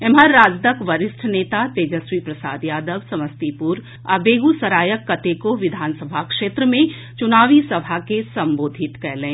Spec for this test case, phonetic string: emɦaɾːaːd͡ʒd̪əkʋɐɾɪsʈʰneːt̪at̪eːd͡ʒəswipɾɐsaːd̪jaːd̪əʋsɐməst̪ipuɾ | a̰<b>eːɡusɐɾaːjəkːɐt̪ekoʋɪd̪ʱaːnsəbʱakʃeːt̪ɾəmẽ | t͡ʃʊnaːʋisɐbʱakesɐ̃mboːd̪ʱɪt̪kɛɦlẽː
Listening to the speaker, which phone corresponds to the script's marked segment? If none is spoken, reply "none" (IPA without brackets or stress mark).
b